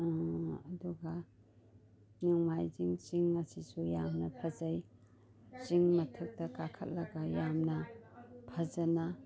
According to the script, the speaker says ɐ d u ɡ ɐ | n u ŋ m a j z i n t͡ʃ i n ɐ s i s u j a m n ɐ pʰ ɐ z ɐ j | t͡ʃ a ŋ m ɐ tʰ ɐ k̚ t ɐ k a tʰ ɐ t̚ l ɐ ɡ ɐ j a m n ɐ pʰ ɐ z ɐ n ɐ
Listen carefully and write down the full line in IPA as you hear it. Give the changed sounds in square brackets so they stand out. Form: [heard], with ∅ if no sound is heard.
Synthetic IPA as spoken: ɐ d u ɡ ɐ | n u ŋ m a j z i [ŋ] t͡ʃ i [ŋ] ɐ s i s u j a m n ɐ pʰ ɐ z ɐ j | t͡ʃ [i] ŋ m ɐ tʰ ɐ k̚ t ɐ k a [kʰ] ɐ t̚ l ɐ ɡ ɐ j a m n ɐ pʰ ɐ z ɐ n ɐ